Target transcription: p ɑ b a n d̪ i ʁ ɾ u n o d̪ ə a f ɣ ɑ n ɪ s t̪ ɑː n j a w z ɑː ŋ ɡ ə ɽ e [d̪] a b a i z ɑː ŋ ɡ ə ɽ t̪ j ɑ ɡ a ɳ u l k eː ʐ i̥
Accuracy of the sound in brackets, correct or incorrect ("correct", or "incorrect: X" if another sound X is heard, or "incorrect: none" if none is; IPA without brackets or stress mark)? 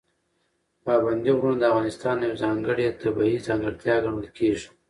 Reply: incorrect: t̪